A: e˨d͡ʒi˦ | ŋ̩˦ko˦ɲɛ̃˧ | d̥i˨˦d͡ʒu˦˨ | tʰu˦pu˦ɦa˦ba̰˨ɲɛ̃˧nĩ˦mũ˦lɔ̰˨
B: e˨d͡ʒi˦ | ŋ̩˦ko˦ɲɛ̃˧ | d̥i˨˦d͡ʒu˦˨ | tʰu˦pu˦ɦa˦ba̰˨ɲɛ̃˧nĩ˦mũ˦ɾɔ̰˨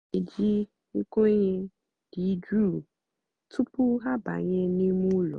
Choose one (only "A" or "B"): A